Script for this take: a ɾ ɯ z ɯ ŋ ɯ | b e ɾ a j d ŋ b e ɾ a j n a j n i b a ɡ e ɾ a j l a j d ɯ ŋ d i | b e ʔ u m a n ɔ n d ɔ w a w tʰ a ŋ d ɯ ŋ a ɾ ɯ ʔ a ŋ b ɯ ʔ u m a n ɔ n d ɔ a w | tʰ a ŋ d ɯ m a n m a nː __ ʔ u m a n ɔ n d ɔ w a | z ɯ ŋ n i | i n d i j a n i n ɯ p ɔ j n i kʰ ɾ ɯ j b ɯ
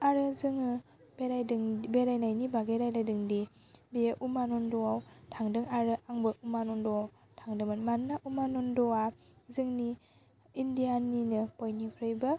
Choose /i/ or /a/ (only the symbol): a